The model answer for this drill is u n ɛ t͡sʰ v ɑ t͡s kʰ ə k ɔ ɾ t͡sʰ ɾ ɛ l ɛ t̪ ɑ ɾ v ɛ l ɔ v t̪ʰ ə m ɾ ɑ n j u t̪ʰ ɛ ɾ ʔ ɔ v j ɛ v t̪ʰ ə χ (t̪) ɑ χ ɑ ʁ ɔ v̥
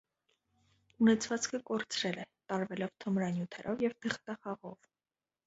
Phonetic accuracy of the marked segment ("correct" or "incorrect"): correct